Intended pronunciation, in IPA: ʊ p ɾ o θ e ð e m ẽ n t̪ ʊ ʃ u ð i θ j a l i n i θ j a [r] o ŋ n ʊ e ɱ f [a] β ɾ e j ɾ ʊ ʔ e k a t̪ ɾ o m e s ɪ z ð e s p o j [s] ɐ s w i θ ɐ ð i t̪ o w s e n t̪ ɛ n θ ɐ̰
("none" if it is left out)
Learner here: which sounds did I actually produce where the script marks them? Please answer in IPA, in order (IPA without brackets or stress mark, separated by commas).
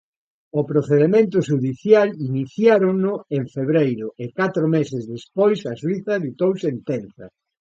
ɾ, e, s